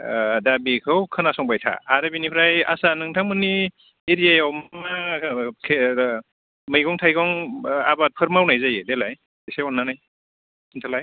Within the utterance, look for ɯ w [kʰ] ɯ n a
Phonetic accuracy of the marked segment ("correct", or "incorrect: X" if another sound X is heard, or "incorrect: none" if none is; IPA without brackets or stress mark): correct